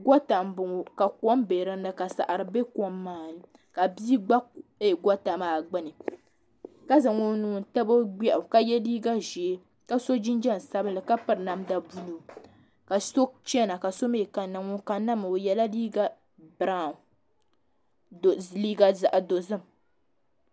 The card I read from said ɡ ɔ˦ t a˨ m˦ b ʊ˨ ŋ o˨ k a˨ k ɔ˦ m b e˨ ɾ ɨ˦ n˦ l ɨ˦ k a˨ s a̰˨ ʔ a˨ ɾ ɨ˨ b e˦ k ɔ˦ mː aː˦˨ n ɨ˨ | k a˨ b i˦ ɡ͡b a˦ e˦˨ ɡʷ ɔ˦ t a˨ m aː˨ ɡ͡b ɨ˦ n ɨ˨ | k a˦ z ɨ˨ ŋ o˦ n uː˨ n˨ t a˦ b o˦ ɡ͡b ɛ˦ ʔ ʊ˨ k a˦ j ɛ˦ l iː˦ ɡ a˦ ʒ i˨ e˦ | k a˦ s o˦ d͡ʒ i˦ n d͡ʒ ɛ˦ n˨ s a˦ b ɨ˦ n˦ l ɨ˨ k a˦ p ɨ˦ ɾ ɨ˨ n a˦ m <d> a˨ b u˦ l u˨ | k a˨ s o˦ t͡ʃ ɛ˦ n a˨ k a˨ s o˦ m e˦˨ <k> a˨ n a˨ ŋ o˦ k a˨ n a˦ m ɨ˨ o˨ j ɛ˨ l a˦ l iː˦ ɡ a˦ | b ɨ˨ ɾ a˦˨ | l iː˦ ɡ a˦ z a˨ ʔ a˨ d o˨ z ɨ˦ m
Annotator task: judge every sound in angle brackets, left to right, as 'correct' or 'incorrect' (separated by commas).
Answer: correct, correct